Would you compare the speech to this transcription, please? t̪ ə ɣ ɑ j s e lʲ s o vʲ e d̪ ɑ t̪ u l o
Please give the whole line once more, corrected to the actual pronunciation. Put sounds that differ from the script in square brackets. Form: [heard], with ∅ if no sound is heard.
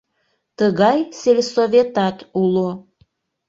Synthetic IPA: t̪ ə ɣ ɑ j s e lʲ s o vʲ e [t̪] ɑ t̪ u l o